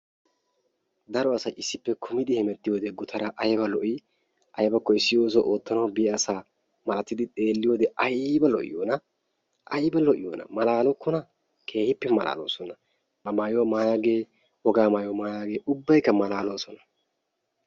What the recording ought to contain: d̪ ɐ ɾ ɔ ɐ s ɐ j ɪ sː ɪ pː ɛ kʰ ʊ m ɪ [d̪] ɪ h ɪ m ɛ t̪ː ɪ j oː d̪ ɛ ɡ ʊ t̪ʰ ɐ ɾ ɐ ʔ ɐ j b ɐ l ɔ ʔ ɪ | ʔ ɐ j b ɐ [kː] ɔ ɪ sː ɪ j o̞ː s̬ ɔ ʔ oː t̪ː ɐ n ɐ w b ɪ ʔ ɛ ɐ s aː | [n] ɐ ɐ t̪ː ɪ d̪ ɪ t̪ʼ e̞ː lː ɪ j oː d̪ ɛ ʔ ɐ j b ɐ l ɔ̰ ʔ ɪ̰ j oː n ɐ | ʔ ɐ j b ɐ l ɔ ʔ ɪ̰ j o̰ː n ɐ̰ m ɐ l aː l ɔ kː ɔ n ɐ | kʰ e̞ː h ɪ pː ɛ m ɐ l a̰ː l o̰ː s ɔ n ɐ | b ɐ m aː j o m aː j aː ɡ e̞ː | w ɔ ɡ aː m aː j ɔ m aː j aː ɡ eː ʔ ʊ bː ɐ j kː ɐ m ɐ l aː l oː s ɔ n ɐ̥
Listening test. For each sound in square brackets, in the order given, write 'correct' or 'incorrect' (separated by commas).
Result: correct, correct, incorrect